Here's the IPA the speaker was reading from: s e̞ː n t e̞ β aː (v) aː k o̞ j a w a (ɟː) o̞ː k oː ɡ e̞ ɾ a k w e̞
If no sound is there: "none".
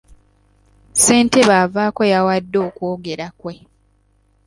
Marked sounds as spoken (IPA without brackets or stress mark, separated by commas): v, dː